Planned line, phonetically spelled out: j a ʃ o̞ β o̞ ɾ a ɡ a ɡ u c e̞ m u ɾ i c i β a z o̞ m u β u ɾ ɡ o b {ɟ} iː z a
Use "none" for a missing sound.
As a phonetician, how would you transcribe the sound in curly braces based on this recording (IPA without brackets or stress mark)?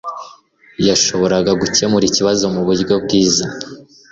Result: ɡ